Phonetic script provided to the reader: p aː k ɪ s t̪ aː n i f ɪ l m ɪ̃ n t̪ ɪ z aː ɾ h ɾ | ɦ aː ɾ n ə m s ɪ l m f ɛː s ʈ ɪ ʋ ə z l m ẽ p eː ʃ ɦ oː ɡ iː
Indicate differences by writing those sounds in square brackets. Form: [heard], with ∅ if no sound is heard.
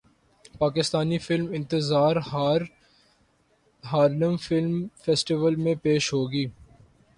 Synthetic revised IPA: p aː k ɪ s t̪ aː n i f ɪ l m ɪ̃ n t̪ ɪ z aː ɾ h ɾ | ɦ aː ɾ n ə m [f] ɪ l m f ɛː s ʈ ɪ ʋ ə [∅] l m ẽ p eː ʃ ɦ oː ɡ iː